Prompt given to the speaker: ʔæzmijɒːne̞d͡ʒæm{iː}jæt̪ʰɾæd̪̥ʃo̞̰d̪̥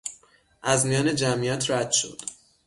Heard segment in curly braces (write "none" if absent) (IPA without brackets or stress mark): i